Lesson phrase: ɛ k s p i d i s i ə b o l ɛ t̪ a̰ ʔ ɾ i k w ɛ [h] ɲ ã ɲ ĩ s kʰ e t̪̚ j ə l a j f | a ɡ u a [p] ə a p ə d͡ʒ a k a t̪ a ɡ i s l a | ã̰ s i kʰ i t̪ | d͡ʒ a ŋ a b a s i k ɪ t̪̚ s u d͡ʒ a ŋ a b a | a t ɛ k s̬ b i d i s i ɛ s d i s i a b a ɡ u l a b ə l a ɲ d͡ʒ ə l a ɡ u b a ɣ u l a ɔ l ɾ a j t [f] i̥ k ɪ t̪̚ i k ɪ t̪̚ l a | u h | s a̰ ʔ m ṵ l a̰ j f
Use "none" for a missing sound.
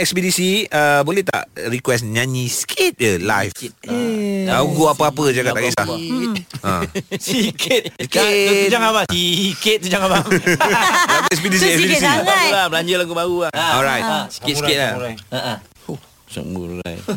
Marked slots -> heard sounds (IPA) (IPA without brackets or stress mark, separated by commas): s, p, s